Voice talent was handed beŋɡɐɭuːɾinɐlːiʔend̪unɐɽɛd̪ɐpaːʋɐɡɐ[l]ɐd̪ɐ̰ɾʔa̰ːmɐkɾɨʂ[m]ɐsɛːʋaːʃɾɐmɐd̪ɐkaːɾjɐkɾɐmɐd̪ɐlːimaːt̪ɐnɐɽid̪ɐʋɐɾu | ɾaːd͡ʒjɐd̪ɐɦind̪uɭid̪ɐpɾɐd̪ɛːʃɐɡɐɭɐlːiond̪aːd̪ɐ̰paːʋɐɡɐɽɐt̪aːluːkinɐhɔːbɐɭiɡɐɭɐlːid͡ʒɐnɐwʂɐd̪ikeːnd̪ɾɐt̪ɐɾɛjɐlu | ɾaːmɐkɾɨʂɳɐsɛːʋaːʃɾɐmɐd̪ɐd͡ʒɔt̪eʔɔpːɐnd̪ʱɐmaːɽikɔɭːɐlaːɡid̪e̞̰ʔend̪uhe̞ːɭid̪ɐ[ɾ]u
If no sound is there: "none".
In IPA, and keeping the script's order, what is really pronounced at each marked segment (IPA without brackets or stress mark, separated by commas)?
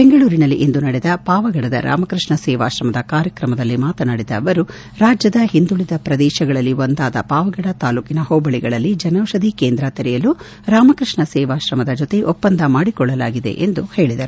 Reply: ɽ, ɳ, ɾ